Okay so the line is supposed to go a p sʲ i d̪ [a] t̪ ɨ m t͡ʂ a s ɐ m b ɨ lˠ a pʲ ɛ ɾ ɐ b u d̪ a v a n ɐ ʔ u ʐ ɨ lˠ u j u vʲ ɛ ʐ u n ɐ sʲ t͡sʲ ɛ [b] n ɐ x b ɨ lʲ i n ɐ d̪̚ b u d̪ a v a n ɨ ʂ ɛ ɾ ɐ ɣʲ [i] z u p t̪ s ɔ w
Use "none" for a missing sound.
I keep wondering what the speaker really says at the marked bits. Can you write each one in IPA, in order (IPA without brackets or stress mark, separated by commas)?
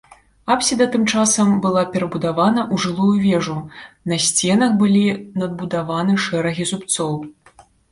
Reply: ɐ, none, i